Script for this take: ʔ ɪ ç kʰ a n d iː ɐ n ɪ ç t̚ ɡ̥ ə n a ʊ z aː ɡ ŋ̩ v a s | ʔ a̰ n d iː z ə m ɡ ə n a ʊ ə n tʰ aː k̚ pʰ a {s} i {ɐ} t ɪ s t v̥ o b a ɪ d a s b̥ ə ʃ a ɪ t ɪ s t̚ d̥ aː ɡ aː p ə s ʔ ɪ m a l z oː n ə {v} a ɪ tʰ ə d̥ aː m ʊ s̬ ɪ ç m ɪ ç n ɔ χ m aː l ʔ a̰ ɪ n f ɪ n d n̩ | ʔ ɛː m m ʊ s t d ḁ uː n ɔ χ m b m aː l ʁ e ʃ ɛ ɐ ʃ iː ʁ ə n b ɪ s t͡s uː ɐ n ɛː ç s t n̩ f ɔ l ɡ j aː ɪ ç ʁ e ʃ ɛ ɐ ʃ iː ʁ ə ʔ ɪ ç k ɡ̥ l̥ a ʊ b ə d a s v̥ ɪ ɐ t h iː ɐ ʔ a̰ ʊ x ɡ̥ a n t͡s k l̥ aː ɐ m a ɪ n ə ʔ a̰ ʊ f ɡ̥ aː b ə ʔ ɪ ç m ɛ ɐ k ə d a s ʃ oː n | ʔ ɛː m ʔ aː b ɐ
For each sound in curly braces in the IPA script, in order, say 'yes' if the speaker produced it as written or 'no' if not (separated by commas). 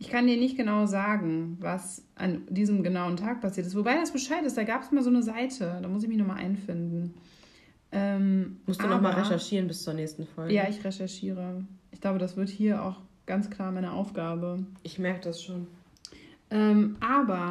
yes, yes, no